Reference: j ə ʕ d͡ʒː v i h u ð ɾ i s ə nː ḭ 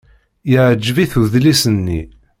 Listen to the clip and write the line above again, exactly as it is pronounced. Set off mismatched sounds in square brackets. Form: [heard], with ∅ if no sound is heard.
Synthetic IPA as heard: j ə ʕ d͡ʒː v i [θ] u ð [l] i s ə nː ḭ